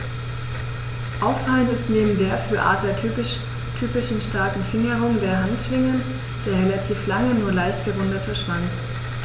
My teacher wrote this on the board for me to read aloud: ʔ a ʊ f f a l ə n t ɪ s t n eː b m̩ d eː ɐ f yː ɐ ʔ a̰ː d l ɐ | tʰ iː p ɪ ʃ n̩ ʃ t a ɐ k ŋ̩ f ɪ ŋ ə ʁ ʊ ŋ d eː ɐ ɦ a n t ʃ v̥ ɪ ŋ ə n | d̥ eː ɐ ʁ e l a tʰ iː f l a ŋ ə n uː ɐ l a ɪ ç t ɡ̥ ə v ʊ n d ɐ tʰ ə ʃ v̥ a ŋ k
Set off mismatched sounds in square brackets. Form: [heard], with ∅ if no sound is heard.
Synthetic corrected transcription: ʔ a ʊ f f a l ə n t ɪ s t n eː b m̩ d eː ɐ f yː ɐ ʔ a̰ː d l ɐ | tʰ [yː] p ɪ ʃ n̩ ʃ t a ɐ k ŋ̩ f ɪ ŋ ə ʁ ʊ ŋ d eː ɐ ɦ a n t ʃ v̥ ɪ ŋ ə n | d̥ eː ɐ ʁ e l a tʰ iː f l a ŋ ə n uː ɐ l a ɪ ç t ɡ̥ ə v ʊ n d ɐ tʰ ə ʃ v̥ a ŋ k

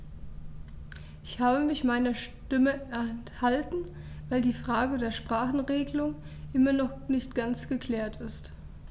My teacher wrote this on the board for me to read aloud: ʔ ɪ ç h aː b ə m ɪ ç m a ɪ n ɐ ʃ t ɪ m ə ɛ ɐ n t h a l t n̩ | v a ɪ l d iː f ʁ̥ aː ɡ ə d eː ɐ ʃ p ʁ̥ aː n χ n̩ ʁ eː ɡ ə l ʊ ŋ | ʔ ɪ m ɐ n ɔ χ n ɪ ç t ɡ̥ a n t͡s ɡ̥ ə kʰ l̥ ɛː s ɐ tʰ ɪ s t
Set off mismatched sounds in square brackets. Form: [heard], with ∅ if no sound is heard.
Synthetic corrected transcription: ʔ ɪ ç h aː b ə m ɪ ç m a ɪ n ɐ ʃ t ɪ m ə ɛ ɐ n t h a l t n̩ | v a ɪ l d iː f ʁ̥ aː ɡ ə d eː ɐ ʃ p ʁ̥ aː [∅] χ n̩ ʁ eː ɡ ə l ʊ ŋ | ʔ ɪ m ɐ n ɔ χ n ɪ ç t ɡ̥ a n t͡s ɡ̥ ə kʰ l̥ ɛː [∅] ɐ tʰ ɪ s t

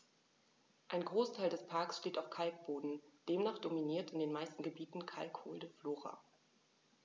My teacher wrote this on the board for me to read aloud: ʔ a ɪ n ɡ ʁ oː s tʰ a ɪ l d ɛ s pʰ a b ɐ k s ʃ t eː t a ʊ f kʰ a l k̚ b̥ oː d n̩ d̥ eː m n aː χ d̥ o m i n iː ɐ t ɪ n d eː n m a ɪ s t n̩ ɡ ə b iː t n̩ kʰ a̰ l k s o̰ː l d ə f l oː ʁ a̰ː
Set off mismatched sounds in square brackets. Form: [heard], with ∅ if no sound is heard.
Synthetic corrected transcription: ʔ a ɪ n ɡ ʁ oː s tʰ a ɪ l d ɛ s pʰ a [∅] ɐ k s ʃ t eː t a ʊ f kʰ a l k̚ b̥ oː d n̩ d̥ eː m n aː χ d̥ o m i n iː ɐ t ɪ n d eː n m a ɪ s t n̩ ɡ ə b iː t n̩ kʰ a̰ l k [h] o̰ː l d ə f l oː ʁ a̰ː

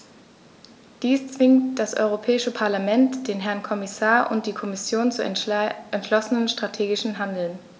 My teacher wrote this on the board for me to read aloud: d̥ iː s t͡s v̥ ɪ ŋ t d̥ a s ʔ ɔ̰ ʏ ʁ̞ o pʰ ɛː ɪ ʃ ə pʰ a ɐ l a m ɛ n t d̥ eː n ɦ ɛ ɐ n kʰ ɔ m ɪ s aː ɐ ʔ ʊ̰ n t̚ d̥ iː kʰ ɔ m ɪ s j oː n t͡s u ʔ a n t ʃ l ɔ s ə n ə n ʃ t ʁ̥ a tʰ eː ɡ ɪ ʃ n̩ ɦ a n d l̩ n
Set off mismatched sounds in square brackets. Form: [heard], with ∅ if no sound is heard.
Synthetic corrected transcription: d̥ iː s t͡s v̥ ɪ ŋ t d̥ a s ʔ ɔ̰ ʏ ʁ̞ o pʰ ɛː ɪ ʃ ə pʰ a ɐ l a m ɛ n t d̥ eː n ɦ ɛ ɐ n kʰ ɔ m ɪ s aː ɐ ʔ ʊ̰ n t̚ d̥ iː kʰ ɔ m ɪ s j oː n t͡s u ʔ [ɛ] n t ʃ l ɔ s ə n ə n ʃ t ʁ̥ a tʰ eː ɡ ɪ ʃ n̩ ɦ a n d l̩ n

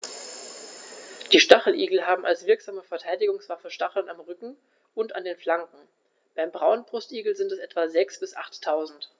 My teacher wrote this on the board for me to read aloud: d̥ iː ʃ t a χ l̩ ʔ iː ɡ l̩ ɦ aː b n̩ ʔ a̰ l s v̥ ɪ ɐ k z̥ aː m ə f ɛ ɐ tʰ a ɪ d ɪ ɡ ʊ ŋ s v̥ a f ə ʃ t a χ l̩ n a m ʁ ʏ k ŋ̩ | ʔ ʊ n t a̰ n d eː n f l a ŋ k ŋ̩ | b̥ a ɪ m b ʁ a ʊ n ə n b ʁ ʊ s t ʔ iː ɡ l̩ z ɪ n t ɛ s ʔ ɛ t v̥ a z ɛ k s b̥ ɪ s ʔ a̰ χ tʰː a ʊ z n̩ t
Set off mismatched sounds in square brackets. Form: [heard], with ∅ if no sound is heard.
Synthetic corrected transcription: d̥ iː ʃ t a χ l̩ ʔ iː ɡ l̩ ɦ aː b [m̩] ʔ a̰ l s v̥ ɪ ɐ k z̥ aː m ə f ɛ ɐ tʰ a ɪ d ɪ ɡ ʊ ŋ s v̥ a f ə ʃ t a χ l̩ n a m ʁ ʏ k ŋ̩ | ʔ ʊ n t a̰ n d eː n f l a ŋ k ŋ̩ | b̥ a ɪ m b ʁ a ʊ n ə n b ʁ ʊ s t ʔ iː ɡ l̩ z ɪ n t ɛ s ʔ ɛ t v̥ a z ɛ k s b̥ ɪ s ʔ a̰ χ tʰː a ʊ z n̩ t

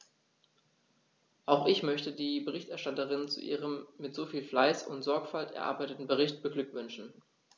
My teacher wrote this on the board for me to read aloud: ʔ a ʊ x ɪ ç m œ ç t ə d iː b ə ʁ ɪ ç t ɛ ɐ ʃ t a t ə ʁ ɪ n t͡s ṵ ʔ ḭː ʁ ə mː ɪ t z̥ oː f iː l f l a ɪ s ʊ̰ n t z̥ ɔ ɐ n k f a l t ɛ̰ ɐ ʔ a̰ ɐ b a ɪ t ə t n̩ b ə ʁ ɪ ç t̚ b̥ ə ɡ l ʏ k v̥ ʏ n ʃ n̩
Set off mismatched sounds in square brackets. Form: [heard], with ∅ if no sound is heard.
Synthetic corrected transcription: ʔ a ʊ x ɪ ç m œ ç t ə d iː b ə ʁ ɪ ç t ɛ ɐ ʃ t a t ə ʁ ɪ n t͡s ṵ ʔ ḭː ʁ ə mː ɪ t z̥ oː f iː l f l a ɪ s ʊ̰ n t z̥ ɔ ɐ [∅] k f a l t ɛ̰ ɐ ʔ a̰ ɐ b a ɪ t ə t n̩ b ə ʁ ɪ ç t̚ b̥ ə ɡ l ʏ k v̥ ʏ n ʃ n̩

